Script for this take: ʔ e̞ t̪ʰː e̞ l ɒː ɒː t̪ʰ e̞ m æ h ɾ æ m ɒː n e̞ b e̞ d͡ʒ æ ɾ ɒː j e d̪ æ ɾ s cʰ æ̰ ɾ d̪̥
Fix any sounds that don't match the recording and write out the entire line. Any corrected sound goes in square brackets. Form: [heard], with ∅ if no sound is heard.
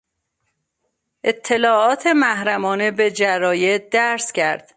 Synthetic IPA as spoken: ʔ e̞ t̪ʰː e̞ l ɒː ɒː t̪ʰ e̞ m æ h ɾ æ m ɒː n e̞ b e̞ d͡ʒ æ ɾ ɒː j e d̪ æ ɾ s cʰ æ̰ ɾ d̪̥